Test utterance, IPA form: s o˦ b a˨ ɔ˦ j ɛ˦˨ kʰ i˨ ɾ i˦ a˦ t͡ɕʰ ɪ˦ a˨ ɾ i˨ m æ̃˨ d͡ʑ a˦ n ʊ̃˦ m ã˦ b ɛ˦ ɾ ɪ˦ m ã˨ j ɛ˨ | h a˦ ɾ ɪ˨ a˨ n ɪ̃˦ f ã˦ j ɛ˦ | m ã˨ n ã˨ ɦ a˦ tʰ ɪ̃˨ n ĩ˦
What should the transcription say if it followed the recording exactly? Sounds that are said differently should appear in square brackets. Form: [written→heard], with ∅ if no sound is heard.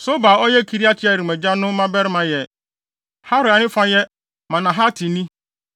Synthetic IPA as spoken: s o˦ b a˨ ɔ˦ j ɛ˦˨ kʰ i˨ ɾ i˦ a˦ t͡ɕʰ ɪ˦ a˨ ɾ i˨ m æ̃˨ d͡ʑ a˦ n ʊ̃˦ m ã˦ b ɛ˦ ɾ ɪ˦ m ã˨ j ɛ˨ | h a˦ ɾ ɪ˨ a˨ n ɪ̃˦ f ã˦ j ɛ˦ | m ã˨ n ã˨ ɦ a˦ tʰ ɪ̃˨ n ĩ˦